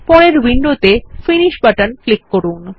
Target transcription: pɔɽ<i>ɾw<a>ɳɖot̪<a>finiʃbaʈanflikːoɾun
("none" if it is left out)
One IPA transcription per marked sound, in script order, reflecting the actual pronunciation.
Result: e, i, e

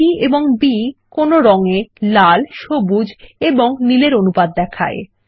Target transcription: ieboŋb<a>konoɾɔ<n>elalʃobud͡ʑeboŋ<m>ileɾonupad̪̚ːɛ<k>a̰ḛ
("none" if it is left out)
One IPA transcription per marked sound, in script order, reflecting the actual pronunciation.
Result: i, ŋ, n, kʰ

